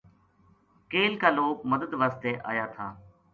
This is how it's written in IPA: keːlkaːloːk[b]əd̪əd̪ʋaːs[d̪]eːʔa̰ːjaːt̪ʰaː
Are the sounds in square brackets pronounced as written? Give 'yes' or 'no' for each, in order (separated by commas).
no, no